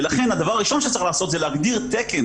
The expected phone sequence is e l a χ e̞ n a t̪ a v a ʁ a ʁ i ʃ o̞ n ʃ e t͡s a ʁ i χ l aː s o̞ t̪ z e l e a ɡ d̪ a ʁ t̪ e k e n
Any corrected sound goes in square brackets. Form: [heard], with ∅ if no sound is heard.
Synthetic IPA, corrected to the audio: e l a χ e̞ n a [d̪] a v a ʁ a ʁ i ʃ o̞ n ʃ e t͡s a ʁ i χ l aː s o̞ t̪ z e l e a ɡ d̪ [i] ʁ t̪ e k e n